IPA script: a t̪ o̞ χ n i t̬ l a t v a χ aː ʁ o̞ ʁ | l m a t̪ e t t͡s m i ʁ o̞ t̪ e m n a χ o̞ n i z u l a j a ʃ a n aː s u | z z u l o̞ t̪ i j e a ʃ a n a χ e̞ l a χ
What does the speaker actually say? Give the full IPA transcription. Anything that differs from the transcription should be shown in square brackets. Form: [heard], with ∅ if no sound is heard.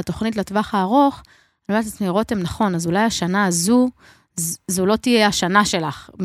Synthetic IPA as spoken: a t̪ o̞ χ n i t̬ l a t v a χ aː ʁ o̞ [χ] | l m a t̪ [a] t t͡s m i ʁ o̞ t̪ e m n a χ o̞ n [a] z u l a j a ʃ a n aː [z] u | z z u l o̞ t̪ i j e a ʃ a n a [ʃ] e̞ l a χ